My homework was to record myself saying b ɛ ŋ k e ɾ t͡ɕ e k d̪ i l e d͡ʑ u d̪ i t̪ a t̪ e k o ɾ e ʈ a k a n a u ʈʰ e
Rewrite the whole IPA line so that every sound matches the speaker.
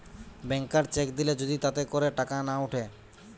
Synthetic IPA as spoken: b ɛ ŋ k a ɾ t͡ɕ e k d̪ i l e d͡ʑ o d̪ i t̪ a t̪ e k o ɾ e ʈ a k a n a u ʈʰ e

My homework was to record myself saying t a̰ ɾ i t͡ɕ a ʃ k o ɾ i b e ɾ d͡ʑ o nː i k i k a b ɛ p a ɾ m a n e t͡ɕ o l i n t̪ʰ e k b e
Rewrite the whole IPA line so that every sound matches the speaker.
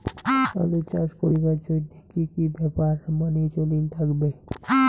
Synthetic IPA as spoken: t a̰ l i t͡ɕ a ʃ k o ɾ i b a ɾ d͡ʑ o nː i k i k i b ɛ p a ɾ m a n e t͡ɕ o l i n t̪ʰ a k b e

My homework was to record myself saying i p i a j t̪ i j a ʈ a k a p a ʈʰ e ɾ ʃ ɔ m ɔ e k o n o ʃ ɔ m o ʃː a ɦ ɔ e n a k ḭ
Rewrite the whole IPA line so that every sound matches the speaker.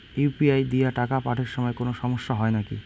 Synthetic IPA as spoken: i p i a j d̪ i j a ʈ a k a p a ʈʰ e ɾ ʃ ɔ m ɔ e k o n o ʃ ɔ m o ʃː a ɦ ɔ e n a k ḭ

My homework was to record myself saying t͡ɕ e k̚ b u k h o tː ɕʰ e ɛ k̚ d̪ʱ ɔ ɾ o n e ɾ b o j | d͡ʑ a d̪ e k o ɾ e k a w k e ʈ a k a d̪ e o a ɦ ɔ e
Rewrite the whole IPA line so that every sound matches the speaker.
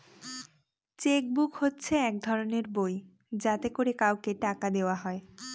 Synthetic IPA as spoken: t͡ɕ e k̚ b u k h o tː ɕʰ e ɛ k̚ d̪ʱ ɔ ɾ o n e ɾ b o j | d͡ʑ a t̪ e k o ɾ e k a w k e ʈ a k a d̪ e o a ɦ ɔ e

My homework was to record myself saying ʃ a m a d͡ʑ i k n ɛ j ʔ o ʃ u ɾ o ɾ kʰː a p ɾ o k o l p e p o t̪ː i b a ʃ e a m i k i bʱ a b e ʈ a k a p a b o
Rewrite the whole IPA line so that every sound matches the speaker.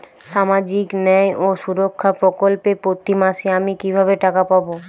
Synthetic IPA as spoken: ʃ a m a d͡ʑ i k n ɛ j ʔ o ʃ u ɾ o kʰː a p ɾ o k o l p e p o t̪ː i m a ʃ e a m i k i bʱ a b e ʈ a k a p a b o

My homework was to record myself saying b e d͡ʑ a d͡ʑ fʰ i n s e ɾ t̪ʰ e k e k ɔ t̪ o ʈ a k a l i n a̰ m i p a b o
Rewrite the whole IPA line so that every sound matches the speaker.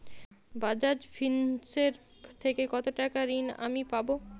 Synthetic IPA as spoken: b a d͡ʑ a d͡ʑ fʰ i n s e ɾ t̪ʰ e k e k ɔ t̪ o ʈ a k a ɾ i n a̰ m i p a b o

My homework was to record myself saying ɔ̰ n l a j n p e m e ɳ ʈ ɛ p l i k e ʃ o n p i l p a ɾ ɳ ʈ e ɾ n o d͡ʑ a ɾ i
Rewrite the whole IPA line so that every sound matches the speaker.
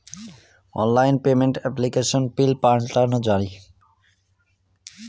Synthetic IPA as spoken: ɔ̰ n l a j n p e m e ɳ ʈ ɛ p l i k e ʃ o n p i l p a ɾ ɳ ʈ a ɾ n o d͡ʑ a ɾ i

